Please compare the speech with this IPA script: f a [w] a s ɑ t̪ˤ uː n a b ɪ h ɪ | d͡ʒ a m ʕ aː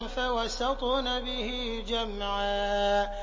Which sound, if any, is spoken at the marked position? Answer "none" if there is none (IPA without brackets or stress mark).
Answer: w